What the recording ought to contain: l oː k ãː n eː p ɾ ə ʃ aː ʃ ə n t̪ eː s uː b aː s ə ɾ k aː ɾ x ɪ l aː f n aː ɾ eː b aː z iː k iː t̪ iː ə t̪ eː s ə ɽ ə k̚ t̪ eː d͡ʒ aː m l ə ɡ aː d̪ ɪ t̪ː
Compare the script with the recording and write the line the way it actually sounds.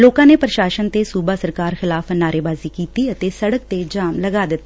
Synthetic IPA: l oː k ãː n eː p ɾ ə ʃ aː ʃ ə n t̪ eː s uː b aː s ə ɾ k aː ɾ x ɪ l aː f n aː ɾ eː b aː z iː k iː t̪ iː ə t̪ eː s ə ɽ ə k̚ t̪ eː d͡ʒ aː m l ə ɡ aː d̪ ɪ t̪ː